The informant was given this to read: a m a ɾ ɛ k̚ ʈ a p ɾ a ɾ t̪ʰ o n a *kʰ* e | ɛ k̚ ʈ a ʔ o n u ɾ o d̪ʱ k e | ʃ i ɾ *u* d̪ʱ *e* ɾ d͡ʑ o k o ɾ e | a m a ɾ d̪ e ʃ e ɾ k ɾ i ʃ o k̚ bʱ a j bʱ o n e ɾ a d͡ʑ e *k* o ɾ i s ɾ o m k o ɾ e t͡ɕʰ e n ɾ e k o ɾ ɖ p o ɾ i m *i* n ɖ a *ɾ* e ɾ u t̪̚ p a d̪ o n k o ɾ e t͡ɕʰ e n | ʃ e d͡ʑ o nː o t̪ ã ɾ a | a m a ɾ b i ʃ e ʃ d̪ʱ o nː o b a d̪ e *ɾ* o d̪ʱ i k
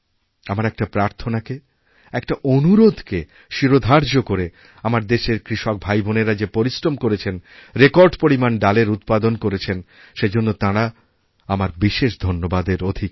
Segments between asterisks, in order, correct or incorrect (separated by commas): incorrect, incorrect, incorrect, incorrect, incorrect, incorrect, correct